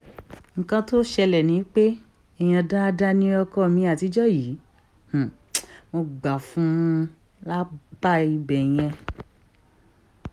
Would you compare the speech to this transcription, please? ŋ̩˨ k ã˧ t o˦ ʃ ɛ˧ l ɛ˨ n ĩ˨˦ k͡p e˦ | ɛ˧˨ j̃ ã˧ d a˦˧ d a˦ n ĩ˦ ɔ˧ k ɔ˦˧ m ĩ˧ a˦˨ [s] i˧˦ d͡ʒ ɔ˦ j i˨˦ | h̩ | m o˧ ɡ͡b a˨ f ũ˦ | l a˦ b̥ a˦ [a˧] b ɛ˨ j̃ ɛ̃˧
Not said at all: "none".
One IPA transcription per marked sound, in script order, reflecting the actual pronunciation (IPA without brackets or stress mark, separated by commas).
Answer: t, i˧